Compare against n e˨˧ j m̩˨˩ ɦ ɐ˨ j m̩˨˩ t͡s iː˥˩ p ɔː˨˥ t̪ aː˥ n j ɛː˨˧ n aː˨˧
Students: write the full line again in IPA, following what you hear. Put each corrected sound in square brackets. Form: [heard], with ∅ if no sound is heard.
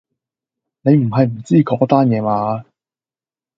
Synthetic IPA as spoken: n e˨˧ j m̩˨˩ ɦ ɐ˨ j m̩˨˩ t͡s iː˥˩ [k] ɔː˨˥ t̪ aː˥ n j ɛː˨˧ [m] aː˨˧